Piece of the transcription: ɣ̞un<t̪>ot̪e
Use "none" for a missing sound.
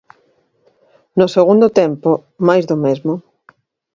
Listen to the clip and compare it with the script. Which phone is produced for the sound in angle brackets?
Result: d̪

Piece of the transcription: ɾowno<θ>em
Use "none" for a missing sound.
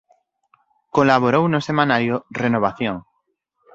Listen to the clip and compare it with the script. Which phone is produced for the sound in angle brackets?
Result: s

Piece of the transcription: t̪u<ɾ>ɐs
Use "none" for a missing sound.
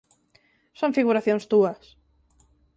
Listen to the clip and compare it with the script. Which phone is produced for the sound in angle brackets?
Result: none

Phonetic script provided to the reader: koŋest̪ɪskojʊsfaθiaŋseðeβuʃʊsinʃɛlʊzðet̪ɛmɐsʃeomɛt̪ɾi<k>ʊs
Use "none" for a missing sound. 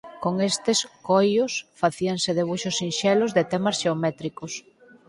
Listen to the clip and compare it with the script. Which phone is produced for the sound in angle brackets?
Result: k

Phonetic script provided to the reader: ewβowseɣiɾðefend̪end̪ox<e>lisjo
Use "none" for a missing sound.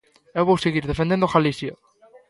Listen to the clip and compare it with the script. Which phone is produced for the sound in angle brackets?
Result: a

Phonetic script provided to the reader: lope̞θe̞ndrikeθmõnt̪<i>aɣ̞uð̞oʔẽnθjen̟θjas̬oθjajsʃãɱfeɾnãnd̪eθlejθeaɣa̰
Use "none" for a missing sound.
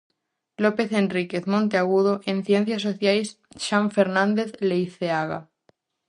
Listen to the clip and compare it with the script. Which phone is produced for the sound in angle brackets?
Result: e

